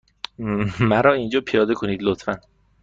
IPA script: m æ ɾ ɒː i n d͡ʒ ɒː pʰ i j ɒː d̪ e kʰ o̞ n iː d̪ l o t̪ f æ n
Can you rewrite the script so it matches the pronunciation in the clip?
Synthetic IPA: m æ ɾ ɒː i n d͡ʒ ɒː pʰ i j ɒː d̪ e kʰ o̞ n iː d̪ l o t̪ f æ n